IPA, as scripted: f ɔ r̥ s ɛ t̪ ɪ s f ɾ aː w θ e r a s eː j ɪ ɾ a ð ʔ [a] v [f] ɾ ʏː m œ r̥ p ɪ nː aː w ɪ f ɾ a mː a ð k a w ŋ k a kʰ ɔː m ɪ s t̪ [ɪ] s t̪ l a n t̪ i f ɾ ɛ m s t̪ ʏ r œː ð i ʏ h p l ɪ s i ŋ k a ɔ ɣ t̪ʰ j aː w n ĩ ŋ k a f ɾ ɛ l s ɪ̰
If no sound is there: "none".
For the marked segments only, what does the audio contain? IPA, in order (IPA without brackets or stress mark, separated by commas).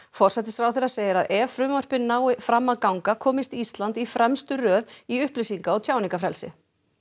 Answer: ɛ, f, i